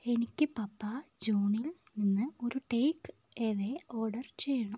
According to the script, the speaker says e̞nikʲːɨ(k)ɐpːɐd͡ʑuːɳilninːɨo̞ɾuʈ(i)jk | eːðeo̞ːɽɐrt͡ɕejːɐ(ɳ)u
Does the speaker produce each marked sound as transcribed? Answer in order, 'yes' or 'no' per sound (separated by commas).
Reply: no, no, yes